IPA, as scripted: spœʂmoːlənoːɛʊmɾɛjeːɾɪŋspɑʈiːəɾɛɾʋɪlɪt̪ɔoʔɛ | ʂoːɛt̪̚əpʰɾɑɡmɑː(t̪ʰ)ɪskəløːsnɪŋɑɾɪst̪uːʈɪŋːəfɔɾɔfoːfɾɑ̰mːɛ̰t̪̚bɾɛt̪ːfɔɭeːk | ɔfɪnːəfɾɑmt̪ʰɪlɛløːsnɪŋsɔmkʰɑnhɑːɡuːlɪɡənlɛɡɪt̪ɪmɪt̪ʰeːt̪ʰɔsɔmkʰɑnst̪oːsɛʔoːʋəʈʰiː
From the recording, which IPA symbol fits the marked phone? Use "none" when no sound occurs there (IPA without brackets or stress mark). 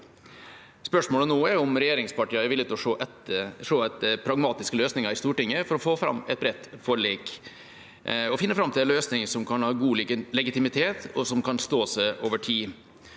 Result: t̪